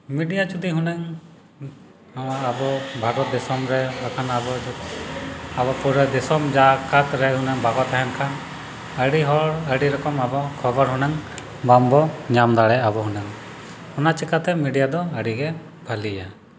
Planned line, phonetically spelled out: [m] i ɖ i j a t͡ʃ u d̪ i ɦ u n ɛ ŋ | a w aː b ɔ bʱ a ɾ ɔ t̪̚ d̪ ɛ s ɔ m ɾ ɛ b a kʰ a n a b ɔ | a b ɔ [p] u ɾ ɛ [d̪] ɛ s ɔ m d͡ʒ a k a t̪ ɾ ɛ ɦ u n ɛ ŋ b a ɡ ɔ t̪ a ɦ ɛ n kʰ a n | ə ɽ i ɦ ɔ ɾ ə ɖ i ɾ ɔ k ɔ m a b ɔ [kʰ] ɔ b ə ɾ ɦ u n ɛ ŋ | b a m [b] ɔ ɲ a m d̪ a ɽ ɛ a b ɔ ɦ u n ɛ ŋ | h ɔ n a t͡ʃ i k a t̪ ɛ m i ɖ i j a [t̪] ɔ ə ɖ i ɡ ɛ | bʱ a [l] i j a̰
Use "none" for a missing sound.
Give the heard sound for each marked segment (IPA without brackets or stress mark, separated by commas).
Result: m, p, d̪, kʰ, b, d̪, l